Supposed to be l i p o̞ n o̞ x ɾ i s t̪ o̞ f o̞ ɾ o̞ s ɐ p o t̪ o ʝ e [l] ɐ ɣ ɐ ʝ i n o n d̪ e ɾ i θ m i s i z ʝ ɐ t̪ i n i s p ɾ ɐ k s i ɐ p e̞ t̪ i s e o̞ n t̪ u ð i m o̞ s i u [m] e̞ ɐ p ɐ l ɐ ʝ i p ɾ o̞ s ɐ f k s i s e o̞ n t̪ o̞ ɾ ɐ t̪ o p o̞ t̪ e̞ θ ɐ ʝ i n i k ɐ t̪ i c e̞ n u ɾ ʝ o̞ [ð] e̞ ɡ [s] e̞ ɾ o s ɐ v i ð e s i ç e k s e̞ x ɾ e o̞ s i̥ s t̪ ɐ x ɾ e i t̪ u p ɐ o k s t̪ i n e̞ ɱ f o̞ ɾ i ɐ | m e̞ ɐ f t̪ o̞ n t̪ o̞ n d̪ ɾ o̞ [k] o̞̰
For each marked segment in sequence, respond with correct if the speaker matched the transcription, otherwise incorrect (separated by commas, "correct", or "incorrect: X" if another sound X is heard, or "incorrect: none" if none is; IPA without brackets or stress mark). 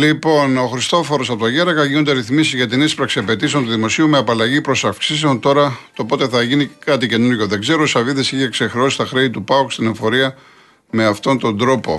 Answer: incorrect: ɾ, correct, correct, incorrect: z, incorrect: p